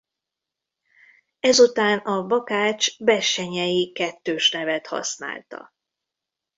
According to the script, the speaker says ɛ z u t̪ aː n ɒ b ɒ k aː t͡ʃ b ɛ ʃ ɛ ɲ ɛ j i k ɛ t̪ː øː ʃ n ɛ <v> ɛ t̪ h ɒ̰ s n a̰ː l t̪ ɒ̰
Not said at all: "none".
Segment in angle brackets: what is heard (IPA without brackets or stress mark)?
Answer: v